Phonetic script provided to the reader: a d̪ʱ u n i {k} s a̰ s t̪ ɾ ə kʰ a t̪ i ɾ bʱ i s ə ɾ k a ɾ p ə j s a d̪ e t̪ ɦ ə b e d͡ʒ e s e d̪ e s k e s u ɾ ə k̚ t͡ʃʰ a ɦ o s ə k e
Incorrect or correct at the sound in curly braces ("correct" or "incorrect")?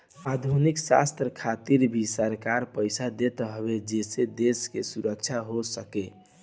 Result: correct